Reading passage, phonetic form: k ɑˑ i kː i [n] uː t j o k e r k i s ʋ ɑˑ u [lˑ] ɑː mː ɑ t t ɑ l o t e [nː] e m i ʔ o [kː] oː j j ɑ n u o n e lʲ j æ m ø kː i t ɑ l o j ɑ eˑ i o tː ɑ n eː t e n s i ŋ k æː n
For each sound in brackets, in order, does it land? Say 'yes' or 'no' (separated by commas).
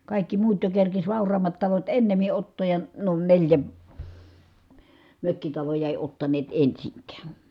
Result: no, no, yes, no